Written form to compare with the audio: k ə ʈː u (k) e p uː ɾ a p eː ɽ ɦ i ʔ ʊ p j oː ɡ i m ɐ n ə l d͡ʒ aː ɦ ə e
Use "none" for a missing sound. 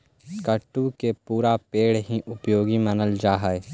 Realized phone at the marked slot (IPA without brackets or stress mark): k